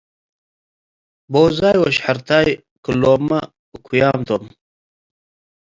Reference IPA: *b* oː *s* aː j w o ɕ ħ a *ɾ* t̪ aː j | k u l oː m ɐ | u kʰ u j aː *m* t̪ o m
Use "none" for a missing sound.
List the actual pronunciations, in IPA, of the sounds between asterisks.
b, z, ɾ, m

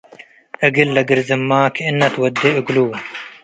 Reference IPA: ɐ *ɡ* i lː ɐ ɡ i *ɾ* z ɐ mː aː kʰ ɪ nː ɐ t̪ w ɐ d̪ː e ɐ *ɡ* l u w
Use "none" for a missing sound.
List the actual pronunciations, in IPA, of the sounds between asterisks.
ɡ, ɾ, ɡ

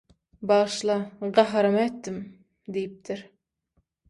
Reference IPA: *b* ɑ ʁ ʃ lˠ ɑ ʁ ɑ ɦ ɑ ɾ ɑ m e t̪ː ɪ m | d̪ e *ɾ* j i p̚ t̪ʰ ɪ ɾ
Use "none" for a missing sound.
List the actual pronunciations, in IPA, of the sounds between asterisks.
b, none

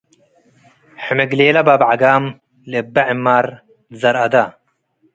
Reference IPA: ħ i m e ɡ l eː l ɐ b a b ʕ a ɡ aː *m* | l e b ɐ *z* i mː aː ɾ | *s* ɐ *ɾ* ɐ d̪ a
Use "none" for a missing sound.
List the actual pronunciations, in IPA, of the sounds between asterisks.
m, ʕ, z, ɾ

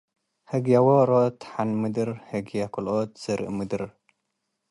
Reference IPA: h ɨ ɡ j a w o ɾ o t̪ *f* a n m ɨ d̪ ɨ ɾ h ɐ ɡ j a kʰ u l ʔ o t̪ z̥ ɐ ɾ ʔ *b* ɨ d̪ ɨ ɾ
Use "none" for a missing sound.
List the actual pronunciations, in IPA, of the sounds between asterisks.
ħ, m

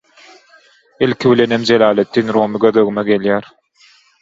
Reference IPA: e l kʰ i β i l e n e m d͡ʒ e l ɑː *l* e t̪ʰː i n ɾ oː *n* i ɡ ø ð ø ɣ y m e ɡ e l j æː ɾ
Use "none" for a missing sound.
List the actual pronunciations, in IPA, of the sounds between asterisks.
l, m

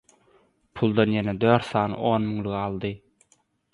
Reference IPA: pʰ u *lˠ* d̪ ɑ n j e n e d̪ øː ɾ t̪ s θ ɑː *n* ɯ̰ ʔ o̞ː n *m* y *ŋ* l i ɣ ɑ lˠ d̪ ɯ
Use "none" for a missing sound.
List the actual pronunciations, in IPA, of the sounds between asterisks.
lˠ, n, m, ŋ

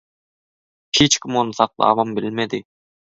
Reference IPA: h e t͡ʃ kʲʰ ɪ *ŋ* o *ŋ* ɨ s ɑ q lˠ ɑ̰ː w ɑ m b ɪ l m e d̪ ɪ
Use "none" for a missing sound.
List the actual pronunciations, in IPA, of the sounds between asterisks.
m, n

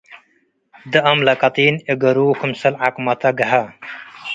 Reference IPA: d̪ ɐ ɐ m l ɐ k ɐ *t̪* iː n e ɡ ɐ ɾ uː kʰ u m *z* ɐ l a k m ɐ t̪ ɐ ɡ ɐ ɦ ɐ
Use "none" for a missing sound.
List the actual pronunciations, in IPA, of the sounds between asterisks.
t̪, s

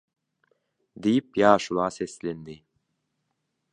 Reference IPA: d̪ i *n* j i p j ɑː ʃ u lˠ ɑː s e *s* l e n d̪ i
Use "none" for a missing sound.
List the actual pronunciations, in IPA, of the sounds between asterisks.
none, s

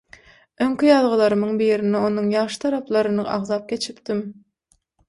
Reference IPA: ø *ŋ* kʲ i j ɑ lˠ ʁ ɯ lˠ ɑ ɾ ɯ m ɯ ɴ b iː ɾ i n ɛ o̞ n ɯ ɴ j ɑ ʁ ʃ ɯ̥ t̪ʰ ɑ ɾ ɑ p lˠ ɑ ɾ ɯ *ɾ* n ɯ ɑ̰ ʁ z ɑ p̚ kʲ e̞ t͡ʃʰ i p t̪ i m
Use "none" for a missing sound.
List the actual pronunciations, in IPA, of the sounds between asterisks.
ŋ, none

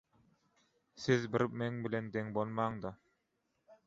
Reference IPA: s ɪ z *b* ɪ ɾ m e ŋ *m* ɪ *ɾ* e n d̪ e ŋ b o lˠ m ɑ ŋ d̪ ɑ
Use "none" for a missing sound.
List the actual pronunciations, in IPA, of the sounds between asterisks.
b, b, l

